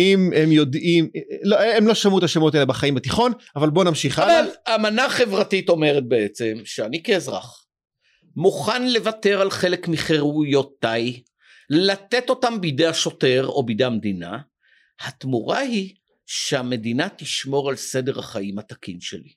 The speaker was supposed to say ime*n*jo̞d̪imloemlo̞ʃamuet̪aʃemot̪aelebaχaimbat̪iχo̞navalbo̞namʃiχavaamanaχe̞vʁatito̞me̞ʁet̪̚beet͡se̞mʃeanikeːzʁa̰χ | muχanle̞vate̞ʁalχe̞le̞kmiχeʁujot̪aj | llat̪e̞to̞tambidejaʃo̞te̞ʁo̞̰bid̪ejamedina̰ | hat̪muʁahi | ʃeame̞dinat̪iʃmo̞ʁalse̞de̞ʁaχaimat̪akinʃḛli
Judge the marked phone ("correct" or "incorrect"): incorrect